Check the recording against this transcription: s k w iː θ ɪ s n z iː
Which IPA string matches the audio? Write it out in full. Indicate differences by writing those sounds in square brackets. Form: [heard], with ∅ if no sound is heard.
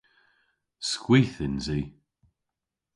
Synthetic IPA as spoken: s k w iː θ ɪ [∅] n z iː